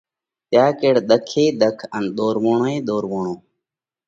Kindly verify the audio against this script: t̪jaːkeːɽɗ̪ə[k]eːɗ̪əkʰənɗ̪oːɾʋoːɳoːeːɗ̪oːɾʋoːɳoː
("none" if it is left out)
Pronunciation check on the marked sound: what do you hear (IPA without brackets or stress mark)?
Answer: kʰ